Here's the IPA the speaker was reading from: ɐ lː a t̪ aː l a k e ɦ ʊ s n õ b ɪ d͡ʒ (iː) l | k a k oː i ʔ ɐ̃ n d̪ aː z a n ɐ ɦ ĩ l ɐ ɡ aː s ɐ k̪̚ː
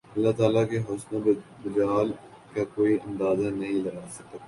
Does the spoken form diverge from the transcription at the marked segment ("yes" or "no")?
yes